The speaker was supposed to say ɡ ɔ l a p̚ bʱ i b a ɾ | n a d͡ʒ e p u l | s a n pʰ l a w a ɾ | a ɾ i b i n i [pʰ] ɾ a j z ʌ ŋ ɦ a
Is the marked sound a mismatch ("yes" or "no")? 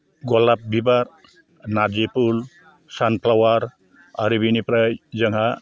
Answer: yes